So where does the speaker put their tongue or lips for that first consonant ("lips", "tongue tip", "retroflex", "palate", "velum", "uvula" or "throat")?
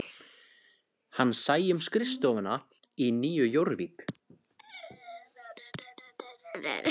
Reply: throat